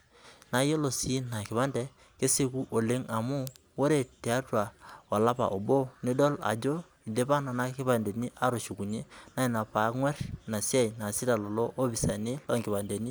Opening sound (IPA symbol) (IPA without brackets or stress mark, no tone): n